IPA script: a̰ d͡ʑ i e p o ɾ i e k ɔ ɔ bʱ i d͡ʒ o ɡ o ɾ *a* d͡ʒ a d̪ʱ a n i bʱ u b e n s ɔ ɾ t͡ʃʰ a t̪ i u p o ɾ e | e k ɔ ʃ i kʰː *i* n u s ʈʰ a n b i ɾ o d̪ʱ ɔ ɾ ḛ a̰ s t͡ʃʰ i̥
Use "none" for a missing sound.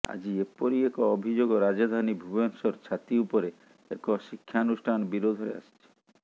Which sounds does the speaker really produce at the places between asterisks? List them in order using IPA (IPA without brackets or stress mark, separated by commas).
a, a